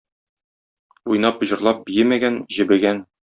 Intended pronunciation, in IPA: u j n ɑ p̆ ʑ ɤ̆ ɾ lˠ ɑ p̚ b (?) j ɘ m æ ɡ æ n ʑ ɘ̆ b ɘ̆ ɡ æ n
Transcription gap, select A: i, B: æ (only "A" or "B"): A